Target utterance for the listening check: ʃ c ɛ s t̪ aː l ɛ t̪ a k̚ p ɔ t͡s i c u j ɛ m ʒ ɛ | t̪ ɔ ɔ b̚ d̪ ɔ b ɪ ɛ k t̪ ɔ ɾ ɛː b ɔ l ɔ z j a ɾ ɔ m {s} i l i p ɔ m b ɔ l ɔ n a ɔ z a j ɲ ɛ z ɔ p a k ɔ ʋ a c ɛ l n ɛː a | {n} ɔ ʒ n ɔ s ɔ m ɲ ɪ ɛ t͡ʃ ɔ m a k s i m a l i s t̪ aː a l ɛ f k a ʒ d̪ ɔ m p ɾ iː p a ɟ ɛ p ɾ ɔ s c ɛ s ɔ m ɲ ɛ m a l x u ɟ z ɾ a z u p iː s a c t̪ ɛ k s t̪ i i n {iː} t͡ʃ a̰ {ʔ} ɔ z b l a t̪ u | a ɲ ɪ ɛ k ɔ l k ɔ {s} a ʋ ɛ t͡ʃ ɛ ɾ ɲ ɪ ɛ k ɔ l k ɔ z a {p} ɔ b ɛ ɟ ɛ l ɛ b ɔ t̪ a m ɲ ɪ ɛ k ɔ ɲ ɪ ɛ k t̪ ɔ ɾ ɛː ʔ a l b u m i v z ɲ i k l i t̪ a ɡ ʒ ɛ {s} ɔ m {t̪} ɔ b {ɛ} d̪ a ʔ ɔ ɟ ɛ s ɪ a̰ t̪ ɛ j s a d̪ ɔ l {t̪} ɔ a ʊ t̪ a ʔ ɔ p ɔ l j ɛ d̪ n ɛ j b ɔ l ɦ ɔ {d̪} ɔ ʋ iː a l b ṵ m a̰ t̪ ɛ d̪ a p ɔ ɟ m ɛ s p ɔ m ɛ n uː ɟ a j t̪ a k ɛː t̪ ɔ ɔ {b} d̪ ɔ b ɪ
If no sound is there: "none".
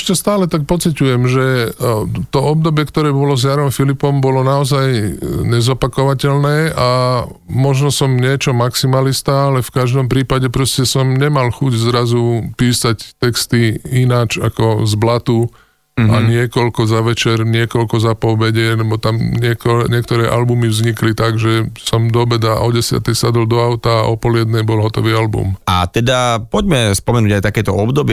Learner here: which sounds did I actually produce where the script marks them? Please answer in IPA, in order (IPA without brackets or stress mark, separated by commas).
f, m, aː, k, z, p, s, d̪, ɛ, d̪, t̪, b